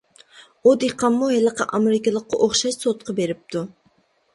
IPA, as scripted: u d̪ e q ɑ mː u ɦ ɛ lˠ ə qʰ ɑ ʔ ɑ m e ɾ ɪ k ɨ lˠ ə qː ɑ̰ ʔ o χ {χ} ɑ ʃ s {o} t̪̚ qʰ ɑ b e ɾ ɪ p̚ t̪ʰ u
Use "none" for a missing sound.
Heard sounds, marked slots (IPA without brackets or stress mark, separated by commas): ʃ, o